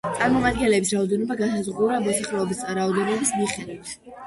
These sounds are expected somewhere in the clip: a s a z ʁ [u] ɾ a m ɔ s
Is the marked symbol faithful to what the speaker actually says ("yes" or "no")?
yes